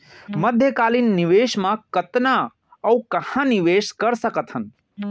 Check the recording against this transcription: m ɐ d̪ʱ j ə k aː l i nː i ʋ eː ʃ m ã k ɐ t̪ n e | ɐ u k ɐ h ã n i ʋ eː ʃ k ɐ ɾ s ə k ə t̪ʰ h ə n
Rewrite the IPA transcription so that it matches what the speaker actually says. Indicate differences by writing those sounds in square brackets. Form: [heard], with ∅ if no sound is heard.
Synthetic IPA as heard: m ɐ d̪ʱ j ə k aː l i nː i ʋ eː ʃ m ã k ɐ t̪ n [a] | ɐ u k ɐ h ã n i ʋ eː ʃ k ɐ ɾ s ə k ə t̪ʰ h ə n